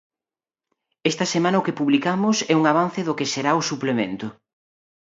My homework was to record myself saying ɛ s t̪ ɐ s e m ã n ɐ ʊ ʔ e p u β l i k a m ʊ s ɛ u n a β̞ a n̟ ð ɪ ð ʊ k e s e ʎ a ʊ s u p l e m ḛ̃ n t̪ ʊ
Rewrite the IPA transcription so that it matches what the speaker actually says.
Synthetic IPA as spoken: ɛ s t̪ ɐ s e m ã n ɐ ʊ k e p u β l i k a m ʊ s ɛ u ŋ a β̞ a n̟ θ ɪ ð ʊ k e s e ɾ a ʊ s u p l e m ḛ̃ n t̪ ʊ